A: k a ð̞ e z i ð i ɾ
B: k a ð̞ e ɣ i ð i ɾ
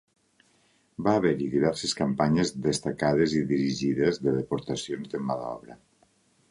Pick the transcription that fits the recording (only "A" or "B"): A